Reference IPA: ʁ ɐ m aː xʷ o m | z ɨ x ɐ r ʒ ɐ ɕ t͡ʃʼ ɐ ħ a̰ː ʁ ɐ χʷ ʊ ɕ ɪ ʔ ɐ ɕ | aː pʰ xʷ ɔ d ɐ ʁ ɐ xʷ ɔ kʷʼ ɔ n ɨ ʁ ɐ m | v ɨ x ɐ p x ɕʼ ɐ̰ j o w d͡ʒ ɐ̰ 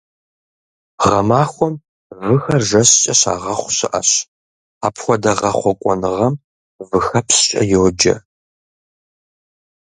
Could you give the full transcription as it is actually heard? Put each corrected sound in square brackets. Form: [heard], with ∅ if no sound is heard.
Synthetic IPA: ʁ ɐ m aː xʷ [ɔ] m | [v] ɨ x ɐ r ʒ ɐ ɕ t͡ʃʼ ɐ [ɕ] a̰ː ʁ ɐ χʷ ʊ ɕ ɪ ʔ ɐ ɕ | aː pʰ xʷ ɔ d ɐ ʁ ɐ [χʷ] ɔ kʷʼ ɔ n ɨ ʁ ɐ m | v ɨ x ɐ p [s] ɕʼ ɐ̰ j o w d͡ʒ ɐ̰